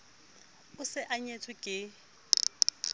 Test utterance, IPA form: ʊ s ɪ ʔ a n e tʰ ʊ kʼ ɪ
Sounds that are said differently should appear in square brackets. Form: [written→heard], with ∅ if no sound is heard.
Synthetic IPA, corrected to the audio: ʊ s ɪ ʔ a [n→ɲ] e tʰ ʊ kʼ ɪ

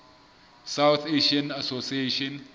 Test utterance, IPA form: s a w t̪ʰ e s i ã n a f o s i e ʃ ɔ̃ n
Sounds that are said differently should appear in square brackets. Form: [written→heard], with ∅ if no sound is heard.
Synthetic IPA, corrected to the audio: s a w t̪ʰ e [s→ʃ] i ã n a [f→s] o s i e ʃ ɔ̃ n

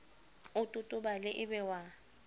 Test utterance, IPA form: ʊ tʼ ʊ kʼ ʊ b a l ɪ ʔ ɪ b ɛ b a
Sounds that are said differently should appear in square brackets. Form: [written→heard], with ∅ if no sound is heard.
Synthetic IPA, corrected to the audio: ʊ tʼ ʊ [kʼ→tʼ] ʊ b a l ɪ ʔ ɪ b ɛ [b→w] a

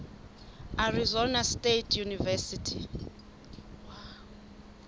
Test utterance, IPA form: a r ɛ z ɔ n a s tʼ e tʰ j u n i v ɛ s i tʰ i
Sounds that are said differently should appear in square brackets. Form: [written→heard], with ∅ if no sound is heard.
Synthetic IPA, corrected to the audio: a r [ɛ→i] z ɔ n a s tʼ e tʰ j u n i v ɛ s i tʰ i

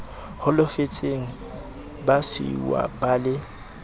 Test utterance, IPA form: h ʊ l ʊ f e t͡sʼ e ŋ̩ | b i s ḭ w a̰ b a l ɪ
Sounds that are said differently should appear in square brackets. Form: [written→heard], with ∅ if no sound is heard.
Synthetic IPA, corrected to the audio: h ʊ l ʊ f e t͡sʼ e ŋ̩ | b [i→a] s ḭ w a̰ b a l ɪ

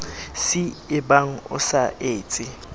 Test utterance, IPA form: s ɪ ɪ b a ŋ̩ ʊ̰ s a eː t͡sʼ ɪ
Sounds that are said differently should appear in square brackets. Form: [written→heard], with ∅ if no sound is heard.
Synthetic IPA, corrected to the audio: s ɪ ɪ b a ŋ̩ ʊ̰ s a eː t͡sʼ ɪ

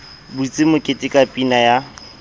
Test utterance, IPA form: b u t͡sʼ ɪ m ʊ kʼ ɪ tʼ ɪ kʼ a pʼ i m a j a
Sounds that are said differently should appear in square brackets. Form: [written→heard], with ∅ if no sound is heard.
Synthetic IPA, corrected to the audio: b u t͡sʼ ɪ m ʊ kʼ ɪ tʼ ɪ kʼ a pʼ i [m→n] a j a

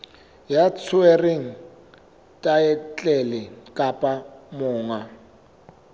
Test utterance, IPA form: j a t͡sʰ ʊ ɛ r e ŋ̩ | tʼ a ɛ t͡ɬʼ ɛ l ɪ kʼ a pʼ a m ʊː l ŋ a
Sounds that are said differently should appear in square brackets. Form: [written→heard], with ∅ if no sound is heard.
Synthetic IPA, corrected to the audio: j a t͡sʰ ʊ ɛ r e ŋ̩ | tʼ a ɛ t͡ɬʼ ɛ l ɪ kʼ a pʼ a m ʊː [l→∅] ŋ a

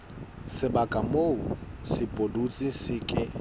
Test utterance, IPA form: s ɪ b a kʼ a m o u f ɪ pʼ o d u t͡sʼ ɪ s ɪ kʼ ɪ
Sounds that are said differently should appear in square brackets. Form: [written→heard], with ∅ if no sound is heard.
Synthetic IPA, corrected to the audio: s ɪ b a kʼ a m o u [f→s] ɪ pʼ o d u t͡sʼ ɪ s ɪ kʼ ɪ

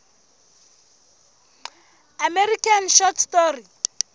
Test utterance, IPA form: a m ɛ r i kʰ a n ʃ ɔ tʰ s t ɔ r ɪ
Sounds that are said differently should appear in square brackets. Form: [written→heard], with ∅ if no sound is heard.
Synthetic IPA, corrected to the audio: a m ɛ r i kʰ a n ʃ ɔ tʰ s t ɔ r [ɪ→i]

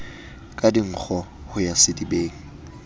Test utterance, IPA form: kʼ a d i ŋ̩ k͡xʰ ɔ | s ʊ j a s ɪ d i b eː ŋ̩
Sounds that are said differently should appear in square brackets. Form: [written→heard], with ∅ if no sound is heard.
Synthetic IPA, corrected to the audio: kʼ a d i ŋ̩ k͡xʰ ɔ | [s→h] ʊ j a s ɪ d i b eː ŋ̩

